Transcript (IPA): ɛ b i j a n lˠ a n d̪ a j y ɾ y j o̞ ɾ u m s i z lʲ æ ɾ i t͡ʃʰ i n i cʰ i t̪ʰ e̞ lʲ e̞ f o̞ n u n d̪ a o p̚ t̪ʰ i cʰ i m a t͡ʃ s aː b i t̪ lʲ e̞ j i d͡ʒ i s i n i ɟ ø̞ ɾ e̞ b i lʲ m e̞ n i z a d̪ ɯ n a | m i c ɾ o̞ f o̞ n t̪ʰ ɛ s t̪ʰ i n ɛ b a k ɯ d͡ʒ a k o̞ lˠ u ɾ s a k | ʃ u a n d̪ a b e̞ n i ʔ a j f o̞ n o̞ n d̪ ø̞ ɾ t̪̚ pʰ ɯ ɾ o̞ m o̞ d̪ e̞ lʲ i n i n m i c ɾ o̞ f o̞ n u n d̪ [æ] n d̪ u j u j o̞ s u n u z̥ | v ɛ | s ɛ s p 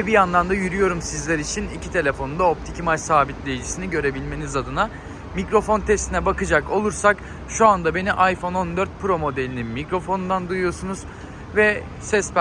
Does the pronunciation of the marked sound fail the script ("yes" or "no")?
yes